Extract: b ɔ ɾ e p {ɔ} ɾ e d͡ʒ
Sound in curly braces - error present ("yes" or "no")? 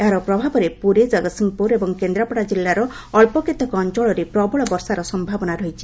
yes